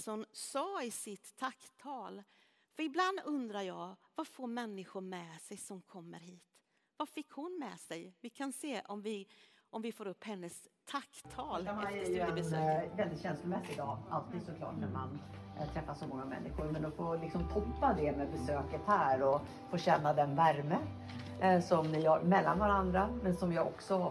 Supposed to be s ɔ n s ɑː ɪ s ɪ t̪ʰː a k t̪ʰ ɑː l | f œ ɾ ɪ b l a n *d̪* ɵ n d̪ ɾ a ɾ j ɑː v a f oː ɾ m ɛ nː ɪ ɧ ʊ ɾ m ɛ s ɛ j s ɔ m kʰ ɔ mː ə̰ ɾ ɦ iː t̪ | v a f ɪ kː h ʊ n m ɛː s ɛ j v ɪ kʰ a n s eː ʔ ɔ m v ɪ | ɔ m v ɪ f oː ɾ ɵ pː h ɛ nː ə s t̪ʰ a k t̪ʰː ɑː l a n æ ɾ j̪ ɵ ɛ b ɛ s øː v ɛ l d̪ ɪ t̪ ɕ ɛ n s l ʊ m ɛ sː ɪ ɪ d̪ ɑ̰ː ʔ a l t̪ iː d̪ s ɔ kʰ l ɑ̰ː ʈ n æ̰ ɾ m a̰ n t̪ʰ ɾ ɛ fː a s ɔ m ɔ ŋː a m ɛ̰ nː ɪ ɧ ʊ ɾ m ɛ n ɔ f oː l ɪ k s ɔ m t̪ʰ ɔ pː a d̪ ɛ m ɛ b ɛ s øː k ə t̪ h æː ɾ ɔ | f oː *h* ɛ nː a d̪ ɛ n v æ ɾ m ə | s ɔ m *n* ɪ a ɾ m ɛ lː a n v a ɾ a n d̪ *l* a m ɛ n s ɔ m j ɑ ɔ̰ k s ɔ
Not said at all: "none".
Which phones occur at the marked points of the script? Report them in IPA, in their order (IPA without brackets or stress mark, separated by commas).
d̪, ɕ, n, ɾ